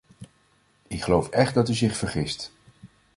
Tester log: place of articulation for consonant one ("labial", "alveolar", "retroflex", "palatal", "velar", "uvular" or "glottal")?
velar